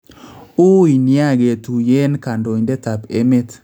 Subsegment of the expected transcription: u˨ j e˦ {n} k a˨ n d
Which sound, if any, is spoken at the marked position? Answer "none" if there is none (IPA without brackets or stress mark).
n